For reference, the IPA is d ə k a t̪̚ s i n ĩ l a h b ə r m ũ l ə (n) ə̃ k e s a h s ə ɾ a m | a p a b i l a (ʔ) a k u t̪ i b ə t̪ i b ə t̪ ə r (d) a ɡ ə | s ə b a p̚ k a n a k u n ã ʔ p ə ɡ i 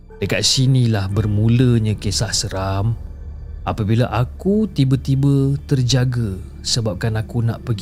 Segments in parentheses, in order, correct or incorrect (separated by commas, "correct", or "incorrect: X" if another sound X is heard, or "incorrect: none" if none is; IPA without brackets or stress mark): incorrect: ɲ, correct, incorrect: d͡ʒ